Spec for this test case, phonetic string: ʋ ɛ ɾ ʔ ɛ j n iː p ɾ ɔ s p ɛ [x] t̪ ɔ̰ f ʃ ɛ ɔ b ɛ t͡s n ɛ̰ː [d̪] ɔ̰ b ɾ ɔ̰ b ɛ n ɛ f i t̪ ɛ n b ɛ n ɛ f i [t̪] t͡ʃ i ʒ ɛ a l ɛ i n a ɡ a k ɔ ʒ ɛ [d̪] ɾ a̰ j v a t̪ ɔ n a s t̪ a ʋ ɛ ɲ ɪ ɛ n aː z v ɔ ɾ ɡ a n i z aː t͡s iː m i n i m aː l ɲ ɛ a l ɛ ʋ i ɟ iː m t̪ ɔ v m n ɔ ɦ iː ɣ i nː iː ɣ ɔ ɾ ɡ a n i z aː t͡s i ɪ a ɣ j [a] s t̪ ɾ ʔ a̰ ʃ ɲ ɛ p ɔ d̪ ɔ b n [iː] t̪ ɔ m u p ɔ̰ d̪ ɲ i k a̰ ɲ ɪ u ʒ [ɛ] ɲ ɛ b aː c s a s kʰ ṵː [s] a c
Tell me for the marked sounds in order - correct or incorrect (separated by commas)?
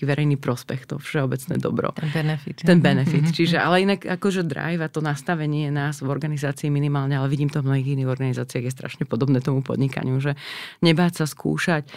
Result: correct, correct, correct, correct, incorrect, incorrect, correct, incorrect